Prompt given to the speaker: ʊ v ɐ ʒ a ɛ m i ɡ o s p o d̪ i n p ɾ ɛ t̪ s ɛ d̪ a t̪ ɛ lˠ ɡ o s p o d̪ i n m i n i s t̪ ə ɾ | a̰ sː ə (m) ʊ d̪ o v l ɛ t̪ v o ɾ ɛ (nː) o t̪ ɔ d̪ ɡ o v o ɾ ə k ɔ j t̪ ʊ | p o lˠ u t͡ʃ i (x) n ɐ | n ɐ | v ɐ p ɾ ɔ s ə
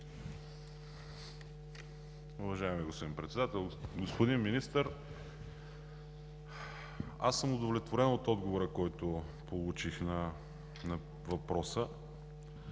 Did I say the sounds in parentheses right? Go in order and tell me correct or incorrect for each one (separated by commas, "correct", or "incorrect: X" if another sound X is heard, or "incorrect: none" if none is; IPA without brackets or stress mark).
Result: correct, incorrect: n, correct